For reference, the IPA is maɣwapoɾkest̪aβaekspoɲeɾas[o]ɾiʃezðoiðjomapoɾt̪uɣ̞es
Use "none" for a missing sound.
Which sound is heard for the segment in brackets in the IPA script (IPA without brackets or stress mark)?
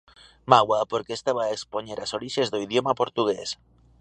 o